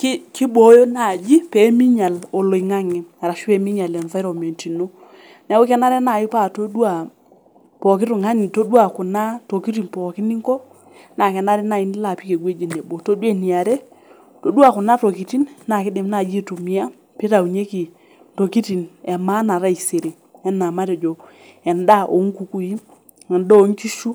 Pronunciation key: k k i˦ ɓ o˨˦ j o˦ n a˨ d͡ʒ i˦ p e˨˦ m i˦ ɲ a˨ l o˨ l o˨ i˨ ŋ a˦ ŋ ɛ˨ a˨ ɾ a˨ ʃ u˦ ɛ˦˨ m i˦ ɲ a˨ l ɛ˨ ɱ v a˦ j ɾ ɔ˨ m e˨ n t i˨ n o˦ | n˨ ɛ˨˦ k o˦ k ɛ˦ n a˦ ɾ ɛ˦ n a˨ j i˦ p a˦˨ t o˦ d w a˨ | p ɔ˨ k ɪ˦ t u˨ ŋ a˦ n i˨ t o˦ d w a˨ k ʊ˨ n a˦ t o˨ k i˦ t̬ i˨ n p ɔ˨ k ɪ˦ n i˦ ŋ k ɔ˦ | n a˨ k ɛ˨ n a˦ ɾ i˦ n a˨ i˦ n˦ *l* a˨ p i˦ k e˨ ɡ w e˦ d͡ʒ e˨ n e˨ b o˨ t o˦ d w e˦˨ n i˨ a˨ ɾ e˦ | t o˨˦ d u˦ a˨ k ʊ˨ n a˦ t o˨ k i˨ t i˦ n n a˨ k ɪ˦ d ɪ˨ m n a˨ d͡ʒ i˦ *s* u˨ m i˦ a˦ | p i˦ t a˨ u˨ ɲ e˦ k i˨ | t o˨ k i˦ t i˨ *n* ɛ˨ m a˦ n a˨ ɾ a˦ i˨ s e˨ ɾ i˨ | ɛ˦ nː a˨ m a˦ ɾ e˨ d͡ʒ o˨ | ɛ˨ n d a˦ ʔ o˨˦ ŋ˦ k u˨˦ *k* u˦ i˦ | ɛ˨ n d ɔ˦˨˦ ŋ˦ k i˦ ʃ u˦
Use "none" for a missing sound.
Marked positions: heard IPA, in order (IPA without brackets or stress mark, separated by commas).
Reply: l, t, n, k